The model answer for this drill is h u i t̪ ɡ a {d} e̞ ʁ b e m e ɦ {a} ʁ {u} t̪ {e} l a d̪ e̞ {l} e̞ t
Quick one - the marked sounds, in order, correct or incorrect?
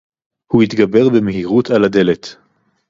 incorrect: b, incorrect: i, correct, incorrect: a, correct

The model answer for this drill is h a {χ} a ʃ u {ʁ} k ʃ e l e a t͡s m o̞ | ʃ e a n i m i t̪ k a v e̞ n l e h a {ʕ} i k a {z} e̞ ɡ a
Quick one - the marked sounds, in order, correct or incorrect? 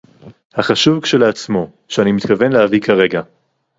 correct, incorrect: v, incorrect: v, incorrect: ʁ

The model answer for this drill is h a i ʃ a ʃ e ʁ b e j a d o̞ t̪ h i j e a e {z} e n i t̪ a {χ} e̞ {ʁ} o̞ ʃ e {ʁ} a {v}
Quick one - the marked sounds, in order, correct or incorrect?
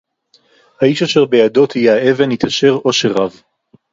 incorrect: v, incorrect: ʃ, correct, correct, correct

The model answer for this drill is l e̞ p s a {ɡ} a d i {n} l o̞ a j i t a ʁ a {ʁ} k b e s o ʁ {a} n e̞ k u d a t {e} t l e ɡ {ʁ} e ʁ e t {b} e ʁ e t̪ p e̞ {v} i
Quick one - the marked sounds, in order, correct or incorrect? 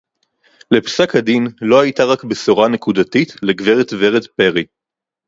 incorrect: k, correct, incorrect: none, correct, incorrect: i, incorrect: v, incorrect: v, incorrect: ʁ

